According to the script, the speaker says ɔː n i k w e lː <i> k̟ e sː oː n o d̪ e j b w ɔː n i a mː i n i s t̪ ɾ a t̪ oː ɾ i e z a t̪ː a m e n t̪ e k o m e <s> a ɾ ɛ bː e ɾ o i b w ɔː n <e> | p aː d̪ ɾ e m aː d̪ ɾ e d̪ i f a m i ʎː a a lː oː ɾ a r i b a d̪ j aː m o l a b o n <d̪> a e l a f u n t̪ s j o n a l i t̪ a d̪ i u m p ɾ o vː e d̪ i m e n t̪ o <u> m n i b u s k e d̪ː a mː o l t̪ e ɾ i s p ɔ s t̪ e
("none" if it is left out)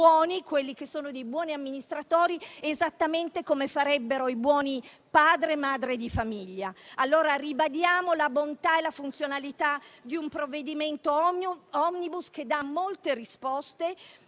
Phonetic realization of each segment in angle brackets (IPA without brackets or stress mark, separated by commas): i, f, i, t̪, ɔ